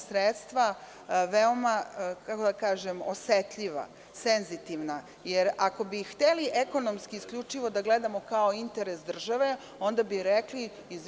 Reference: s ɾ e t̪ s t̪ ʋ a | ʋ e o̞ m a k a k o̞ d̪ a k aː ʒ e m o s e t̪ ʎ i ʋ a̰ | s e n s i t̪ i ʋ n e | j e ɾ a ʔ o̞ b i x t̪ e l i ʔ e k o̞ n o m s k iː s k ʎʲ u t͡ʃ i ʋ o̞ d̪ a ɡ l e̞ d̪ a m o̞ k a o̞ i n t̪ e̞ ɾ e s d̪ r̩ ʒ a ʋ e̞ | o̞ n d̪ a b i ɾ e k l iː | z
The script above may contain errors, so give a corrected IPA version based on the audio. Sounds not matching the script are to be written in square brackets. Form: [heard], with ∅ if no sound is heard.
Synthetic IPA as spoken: s ɾ e t̪ s t̪ ʋ a | ʋ e o̞ m a k a k o̞ d̪ a k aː ʒ e m o s e t̪ ʎ i ʋ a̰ | s e n [z] i t̪ i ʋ n [a] | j e ɾ a [k] o̞ b i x t̪ e l i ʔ e k o̞ n o m s k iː s k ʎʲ u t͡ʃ i ʋ o̞ d̪ a ɡ l e̞ d̪ a m o̞ k a o̞ i n t̪ e̞ ɾ e s d̪ r̩ ʒ a ʋ e̞ | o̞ n d̪ a b i ɾ e k l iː | z